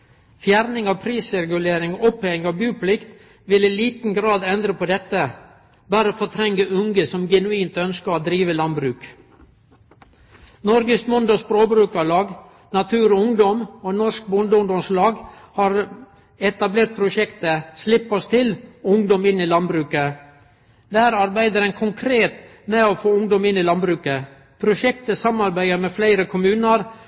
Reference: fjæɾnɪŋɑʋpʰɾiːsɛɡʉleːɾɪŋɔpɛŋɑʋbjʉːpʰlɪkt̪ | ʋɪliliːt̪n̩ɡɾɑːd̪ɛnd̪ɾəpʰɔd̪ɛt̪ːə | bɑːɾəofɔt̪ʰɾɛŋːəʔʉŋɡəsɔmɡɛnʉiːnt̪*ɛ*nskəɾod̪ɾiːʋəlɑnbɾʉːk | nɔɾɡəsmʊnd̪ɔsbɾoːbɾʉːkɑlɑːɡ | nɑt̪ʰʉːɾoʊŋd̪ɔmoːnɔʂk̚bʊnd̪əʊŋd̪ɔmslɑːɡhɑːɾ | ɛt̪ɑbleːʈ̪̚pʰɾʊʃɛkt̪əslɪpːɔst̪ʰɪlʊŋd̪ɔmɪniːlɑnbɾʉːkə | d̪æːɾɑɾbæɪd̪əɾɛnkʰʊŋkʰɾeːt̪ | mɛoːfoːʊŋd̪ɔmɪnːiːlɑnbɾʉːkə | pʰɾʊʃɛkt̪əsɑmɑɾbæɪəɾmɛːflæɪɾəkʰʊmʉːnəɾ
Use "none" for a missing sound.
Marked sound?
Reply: œ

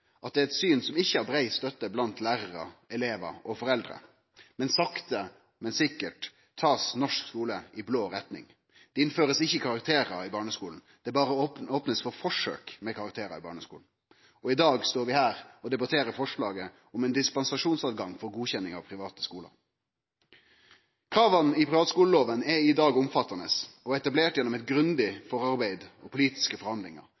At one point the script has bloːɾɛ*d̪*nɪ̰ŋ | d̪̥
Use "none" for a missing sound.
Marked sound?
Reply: t̪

